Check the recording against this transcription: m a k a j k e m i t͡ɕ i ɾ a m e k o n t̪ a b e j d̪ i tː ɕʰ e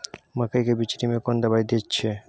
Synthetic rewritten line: m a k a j k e b i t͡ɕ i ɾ i m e k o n d̪ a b a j d̪ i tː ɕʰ e